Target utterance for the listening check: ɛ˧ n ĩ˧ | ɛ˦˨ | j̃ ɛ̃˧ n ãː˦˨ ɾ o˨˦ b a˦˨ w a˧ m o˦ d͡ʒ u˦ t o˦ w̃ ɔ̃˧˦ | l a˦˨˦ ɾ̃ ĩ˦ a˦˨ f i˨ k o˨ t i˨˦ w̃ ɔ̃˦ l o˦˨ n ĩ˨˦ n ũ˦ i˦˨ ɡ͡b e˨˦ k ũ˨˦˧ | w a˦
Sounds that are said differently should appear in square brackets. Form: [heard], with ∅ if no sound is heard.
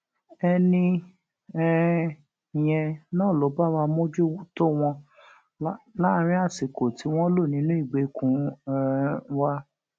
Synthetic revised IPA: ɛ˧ n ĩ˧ | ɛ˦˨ | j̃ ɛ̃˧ n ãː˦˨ [l] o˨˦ b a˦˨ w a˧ m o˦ d͡ʒ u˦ t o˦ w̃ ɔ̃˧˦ | l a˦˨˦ ɾ̃ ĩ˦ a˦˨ [s] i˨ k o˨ t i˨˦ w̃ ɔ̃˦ l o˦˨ n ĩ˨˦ n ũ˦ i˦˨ ɡ͡b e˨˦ k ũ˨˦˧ | w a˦

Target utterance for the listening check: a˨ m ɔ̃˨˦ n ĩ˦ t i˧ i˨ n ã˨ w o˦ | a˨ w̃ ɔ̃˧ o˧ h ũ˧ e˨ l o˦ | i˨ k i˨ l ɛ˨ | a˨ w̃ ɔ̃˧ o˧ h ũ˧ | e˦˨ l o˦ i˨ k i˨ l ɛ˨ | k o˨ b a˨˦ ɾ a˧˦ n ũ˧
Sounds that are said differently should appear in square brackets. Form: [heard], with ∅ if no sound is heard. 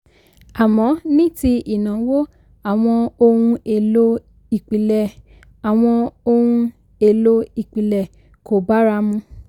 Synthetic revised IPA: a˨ m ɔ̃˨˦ n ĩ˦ t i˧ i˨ n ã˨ w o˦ | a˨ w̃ ɔ̃˧ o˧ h ũ˧ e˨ l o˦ | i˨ [k͡p] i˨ l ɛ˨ | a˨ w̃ ɔ̃˧ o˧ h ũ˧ | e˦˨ l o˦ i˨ [k͡p] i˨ l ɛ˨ | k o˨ b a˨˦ ɾ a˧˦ [m] ũ˧

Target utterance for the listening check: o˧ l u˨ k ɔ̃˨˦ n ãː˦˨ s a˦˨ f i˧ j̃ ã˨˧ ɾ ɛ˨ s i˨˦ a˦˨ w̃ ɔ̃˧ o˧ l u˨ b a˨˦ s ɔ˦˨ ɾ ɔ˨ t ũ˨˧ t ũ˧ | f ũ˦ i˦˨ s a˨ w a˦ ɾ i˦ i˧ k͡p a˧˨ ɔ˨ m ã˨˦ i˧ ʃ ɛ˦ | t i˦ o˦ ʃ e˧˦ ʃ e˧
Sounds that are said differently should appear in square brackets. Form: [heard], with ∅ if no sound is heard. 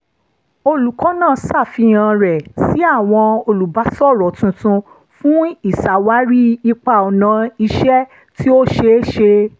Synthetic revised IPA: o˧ l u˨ k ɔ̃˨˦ n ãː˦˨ s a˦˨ f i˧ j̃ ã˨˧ ɾ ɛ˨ s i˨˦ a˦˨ w̃ ɔ̃˧ o˧ l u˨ b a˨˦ s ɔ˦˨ ɾ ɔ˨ t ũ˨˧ t ũ˧ | f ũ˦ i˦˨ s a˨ w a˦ ɾ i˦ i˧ k͡p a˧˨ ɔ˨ [n] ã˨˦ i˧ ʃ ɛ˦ | t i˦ o˦ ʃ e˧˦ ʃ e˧

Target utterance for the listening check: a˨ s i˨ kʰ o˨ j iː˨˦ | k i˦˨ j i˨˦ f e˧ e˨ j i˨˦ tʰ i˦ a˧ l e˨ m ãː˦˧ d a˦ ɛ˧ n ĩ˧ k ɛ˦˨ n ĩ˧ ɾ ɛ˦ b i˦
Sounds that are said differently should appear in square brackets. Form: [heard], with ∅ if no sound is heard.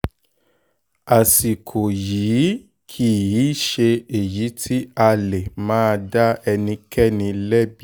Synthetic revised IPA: a˨ s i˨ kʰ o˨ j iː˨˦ | [kʰ] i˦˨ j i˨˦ [ʃ] e˧ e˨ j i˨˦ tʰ i˦ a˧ l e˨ m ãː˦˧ d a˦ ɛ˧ n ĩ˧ k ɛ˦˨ n ĩ˧ [l] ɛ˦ b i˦

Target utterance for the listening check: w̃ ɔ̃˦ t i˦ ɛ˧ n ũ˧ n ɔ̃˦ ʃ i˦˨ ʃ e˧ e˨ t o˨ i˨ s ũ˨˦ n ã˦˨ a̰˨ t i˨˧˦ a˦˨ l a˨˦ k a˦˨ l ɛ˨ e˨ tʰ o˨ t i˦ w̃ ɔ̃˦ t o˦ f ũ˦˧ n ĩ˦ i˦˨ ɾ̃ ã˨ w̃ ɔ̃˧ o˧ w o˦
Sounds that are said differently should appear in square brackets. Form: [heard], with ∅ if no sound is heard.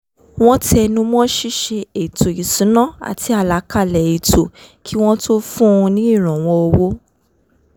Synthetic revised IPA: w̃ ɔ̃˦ t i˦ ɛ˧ n ũ˧ [m] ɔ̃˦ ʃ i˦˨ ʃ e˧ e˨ t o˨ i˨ s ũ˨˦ n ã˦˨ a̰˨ t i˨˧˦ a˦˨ l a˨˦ k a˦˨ l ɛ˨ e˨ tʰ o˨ [k] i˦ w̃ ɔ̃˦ t o˦ f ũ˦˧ n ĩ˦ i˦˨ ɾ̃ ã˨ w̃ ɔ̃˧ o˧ w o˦

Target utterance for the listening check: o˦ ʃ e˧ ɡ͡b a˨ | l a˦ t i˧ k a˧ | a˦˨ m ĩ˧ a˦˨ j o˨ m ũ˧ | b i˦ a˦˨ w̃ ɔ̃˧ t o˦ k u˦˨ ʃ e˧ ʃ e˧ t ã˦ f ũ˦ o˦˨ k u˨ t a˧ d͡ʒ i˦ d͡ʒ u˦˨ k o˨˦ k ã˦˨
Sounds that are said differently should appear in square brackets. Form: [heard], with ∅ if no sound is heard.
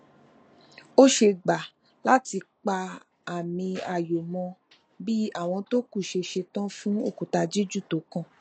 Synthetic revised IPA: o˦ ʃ e˧ ɡ͡b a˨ | l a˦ t i˧ [k͡p] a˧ | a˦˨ m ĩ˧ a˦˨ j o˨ m [ɔ̃˧] | b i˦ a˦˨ w̃ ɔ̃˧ t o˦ k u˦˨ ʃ e˧ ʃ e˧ t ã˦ f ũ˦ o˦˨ k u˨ t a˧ d͡ʒ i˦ d͡ʒ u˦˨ [t] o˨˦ k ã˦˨

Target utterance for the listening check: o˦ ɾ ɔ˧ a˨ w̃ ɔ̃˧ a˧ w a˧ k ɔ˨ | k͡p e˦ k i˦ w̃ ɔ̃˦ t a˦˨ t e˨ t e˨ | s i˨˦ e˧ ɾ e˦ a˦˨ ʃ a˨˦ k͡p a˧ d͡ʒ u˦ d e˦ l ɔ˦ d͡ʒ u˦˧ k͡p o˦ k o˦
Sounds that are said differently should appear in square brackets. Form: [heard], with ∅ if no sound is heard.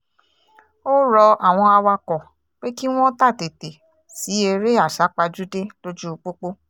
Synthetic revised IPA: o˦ ɾ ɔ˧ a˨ w̃ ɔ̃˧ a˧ w a˧ k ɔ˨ | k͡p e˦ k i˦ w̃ ɔ̃˦ t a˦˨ t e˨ t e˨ | s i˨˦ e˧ ɾ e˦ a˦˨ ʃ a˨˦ k͡p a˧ d͡ʒ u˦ d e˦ l [o˦] d͡ʒ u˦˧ k͡p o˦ [k͡p] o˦

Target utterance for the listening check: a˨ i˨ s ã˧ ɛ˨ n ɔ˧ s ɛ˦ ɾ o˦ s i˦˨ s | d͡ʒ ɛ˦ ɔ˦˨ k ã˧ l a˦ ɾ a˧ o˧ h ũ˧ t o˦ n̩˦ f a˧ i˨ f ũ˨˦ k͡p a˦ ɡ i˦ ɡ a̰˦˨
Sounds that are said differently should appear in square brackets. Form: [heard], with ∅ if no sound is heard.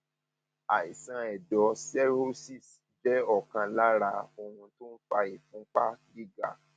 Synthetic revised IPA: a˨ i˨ s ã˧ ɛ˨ [d] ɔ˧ s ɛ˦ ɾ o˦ s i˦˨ s | d͡ʒ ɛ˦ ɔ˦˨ k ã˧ l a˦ ɾ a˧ o˧ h ũ˧ t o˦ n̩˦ f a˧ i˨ f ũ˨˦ k͡p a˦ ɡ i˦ ɡ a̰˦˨

